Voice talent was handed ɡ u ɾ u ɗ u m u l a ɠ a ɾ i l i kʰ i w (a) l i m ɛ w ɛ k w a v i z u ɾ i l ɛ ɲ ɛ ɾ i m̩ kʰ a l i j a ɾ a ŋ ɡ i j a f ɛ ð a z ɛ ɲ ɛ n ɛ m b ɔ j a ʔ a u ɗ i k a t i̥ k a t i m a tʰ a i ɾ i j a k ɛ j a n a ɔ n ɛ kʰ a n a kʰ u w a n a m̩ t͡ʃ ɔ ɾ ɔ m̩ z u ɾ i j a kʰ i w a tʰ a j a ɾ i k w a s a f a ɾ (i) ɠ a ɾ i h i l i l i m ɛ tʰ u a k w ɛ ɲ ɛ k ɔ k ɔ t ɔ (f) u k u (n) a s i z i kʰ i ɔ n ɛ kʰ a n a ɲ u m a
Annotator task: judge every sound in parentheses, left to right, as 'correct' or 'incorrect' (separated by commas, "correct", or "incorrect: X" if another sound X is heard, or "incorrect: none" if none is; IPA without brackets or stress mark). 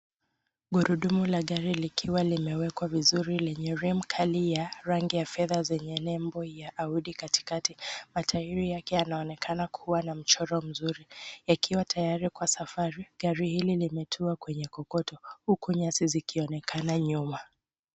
correct, correct, incorrect: h, incorrect: ɲ